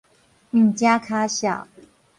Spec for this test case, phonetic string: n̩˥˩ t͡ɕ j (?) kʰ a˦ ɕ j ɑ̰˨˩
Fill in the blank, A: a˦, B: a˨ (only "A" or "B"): A